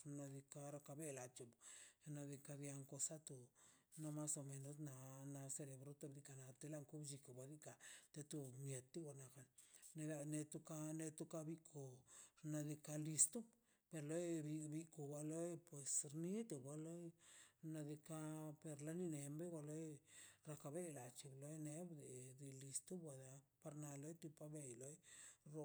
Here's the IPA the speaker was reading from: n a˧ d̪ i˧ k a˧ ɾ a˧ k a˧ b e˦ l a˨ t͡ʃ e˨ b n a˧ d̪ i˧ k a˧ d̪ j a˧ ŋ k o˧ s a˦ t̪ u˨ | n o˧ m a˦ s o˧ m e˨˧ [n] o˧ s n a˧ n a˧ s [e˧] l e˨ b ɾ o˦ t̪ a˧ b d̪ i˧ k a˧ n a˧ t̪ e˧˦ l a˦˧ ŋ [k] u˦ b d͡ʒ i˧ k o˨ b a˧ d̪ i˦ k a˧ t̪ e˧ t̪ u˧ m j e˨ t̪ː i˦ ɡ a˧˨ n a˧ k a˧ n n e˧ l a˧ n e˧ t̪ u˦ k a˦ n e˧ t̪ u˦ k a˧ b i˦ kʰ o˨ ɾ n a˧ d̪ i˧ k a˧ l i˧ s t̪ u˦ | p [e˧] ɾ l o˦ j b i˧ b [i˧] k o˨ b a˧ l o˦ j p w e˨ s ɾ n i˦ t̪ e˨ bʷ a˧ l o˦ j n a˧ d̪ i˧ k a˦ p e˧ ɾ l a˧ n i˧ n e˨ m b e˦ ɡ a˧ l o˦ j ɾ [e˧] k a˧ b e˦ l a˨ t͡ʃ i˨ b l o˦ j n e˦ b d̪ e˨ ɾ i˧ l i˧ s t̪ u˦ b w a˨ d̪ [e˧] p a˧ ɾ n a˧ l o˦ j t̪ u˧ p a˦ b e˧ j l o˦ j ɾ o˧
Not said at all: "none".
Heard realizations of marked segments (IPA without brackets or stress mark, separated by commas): n, e˧, k, e˧, i˧, a˧, a˧